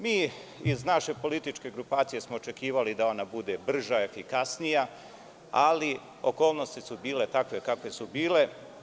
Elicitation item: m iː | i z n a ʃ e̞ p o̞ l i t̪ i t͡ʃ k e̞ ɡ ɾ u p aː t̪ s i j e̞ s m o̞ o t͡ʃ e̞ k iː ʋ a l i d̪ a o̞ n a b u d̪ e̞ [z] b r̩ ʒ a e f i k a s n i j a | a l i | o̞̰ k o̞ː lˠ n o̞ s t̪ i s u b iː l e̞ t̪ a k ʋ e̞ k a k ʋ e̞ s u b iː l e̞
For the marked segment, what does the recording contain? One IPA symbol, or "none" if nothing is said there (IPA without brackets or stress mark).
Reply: none